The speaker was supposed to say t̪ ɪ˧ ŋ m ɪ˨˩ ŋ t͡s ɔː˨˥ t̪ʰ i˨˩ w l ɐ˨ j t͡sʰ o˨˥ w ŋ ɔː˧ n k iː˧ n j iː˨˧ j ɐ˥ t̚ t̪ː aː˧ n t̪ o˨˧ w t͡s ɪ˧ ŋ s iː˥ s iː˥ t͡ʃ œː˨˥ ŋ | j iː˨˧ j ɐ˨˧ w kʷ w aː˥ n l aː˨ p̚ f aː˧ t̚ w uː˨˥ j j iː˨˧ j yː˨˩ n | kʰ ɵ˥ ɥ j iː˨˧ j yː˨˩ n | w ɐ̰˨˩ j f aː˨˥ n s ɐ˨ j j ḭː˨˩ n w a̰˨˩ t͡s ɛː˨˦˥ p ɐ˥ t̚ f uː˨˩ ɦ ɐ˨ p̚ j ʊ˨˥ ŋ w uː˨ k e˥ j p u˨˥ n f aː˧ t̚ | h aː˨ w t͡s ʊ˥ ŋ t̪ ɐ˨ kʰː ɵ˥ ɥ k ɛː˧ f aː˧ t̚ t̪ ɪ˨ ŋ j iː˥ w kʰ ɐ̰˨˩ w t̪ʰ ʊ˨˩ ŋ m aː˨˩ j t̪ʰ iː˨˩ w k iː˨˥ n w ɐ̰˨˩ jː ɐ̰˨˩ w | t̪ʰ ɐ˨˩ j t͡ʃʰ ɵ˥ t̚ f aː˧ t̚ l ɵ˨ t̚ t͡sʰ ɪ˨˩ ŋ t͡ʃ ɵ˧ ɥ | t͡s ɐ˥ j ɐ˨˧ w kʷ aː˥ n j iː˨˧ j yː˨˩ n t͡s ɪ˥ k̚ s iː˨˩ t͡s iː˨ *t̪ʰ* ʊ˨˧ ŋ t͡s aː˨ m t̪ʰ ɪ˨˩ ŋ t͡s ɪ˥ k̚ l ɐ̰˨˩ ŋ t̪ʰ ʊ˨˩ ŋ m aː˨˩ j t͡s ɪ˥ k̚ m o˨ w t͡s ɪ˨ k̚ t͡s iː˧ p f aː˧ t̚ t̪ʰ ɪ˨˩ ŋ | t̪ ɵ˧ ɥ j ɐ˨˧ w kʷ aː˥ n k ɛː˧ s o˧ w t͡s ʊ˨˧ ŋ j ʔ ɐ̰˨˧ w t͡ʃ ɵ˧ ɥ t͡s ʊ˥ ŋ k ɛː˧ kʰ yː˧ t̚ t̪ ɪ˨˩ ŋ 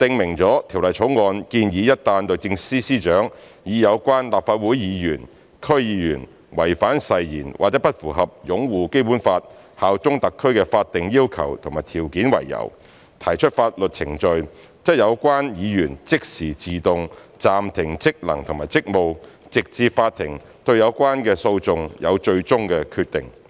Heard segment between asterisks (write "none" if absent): t̪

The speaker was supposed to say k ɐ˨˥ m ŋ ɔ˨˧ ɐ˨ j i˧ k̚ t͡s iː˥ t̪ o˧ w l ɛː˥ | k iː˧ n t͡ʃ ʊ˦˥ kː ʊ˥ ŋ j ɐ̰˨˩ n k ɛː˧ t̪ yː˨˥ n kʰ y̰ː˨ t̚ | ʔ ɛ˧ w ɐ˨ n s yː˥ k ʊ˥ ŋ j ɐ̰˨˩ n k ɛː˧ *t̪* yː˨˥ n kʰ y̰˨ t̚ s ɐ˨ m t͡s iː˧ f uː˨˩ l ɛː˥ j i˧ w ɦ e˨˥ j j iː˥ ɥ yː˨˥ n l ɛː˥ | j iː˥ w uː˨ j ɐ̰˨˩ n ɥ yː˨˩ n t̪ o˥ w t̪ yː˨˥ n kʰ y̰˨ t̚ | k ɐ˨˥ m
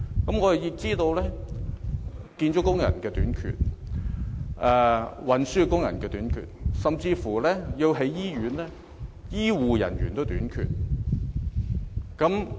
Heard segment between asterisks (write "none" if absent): t̪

